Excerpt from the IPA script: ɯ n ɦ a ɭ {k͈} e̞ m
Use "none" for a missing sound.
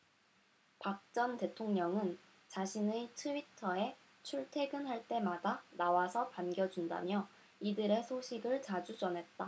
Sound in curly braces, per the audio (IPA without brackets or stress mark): t͈